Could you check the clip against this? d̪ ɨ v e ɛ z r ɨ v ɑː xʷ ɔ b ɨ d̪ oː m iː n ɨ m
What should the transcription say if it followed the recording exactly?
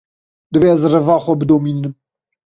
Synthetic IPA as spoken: d̪ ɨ v e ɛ z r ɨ v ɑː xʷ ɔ b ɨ d̪ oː m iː n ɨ m